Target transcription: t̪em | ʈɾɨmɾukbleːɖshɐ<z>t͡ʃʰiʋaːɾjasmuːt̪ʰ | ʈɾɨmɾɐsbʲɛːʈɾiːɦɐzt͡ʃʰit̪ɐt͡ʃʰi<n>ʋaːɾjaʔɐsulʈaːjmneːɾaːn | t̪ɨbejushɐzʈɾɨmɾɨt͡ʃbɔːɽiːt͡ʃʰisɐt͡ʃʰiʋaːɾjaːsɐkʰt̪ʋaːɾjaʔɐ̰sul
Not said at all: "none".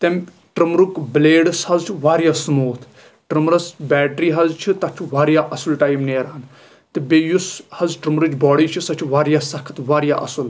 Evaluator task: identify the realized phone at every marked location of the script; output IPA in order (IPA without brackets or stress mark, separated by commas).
z, none